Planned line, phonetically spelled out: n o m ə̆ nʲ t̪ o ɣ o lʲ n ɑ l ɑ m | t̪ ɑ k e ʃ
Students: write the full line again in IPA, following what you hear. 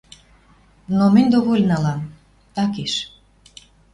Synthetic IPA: n o m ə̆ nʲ d̪ o ɣ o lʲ n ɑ l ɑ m | t̪ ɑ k e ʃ